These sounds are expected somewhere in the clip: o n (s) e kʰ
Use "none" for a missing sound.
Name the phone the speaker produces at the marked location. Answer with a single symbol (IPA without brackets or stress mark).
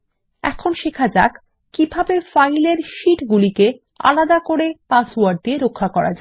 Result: ʃ